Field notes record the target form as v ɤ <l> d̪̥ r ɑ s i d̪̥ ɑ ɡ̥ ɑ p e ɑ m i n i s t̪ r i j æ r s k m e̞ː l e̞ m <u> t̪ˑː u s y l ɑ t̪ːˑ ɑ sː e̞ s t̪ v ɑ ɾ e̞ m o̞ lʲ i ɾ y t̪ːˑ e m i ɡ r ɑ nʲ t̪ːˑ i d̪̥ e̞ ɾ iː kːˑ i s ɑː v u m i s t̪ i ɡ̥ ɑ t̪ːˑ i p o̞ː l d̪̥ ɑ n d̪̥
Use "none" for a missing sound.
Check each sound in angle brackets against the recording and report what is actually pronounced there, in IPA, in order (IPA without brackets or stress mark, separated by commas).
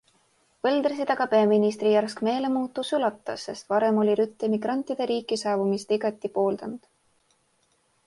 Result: l, uː